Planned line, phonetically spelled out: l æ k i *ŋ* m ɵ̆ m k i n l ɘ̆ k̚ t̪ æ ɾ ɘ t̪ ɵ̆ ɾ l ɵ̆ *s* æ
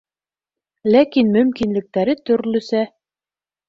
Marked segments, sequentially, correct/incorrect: incorrect: n, correct

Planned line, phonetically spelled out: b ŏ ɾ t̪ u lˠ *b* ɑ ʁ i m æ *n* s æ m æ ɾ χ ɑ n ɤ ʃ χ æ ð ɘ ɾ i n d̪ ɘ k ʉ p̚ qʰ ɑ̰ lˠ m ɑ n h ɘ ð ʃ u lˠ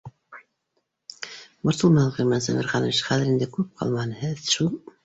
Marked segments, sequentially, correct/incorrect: incorrect: m, correct

